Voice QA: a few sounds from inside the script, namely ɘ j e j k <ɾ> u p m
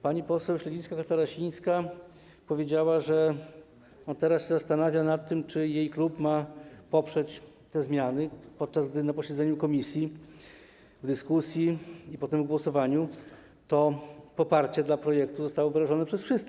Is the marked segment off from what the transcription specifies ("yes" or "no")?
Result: yes